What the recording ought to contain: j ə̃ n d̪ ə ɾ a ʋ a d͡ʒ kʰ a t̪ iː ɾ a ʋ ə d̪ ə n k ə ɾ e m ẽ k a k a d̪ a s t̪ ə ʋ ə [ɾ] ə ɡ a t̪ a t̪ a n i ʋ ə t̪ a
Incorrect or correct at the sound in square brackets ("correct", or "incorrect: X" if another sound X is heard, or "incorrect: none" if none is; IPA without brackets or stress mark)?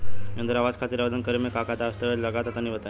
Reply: incorrect: l